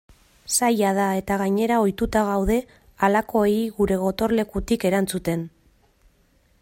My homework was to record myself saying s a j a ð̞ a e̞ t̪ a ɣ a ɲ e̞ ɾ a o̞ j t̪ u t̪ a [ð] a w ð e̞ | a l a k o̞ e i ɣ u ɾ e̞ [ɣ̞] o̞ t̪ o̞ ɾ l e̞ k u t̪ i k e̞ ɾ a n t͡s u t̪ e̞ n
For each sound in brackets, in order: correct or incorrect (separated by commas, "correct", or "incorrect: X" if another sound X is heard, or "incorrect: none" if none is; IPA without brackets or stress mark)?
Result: incorrect: ɣ, correct